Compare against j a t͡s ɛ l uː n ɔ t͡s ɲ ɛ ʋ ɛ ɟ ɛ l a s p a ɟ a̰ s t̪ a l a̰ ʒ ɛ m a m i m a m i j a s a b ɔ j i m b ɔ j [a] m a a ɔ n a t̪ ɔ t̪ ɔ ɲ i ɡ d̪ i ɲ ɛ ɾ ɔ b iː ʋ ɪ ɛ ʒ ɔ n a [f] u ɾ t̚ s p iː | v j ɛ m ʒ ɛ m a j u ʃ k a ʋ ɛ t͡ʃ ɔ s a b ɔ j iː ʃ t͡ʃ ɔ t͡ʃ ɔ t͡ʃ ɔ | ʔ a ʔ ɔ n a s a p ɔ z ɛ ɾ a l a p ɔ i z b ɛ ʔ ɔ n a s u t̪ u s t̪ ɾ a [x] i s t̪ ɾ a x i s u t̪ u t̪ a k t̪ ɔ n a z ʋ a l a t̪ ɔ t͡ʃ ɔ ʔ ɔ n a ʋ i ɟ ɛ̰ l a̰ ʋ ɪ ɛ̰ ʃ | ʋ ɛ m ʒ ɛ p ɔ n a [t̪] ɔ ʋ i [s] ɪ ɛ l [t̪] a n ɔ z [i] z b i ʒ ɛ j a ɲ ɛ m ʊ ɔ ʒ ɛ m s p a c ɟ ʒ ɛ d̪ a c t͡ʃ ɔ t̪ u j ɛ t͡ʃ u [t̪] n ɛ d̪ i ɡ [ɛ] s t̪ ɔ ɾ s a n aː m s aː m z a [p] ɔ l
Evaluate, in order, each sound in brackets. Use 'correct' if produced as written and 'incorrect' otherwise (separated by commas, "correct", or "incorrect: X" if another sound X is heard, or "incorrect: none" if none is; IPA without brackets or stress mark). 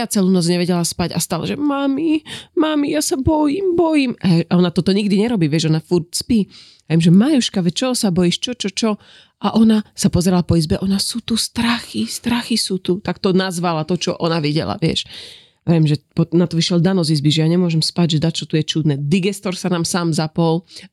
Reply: incorrect: i, correct, correct, correct, incorrect: ʃ, incorrect: d̪, correct, incorrect: d̪, correct, correct